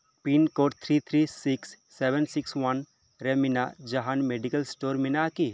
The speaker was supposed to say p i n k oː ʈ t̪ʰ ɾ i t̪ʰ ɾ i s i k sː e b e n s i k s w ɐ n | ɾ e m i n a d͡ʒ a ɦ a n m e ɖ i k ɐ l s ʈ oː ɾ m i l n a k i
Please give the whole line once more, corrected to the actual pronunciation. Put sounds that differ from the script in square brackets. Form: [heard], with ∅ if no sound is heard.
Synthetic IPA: p i n k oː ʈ t̪ʰ ɾ i t̪ʰ ɾ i s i k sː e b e n s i k s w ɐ n | ɾ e m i n a d͡ʒ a ɦ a n m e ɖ i k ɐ l s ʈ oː ɾ m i [∅] n a k i